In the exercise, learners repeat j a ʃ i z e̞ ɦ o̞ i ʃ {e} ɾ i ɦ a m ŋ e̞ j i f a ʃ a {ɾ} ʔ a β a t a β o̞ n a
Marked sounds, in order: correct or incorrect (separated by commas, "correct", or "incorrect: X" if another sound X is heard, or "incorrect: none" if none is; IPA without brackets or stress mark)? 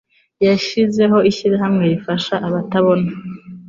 incorrect: i, incorrect: none